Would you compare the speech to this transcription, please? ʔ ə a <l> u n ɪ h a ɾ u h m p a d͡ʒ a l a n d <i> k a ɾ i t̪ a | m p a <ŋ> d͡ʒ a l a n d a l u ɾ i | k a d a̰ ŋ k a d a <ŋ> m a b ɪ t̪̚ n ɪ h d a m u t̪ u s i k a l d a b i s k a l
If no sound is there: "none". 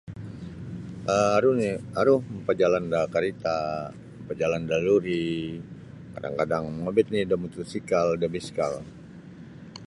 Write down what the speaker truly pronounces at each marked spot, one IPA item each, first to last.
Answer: ɾ, a, none, ŋ

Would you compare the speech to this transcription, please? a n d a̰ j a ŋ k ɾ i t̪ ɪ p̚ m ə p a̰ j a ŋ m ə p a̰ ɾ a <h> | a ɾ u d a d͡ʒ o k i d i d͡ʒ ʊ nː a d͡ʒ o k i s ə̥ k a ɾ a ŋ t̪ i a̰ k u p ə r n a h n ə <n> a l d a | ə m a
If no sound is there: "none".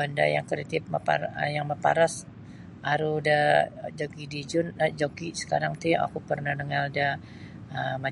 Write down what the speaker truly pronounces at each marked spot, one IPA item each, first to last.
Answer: s, ŋ

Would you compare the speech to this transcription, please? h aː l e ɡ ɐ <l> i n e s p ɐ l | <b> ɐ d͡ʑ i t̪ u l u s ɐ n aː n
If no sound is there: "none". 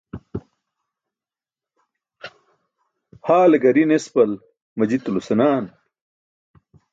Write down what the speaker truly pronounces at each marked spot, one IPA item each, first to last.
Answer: ɾ, m

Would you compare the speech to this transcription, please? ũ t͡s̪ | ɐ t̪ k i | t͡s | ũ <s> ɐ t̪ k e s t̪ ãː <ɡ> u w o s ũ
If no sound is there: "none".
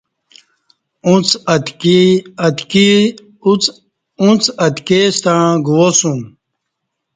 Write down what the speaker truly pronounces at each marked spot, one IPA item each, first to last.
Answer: t͡s, ɡ

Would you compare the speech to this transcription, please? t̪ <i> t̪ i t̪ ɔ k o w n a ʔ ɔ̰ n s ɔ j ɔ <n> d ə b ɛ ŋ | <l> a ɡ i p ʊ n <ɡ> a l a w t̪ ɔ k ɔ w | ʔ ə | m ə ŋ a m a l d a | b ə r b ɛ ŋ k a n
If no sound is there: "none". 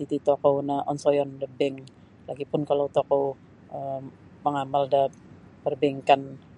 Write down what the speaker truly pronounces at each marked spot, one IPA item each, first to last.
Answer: i, n, l, k

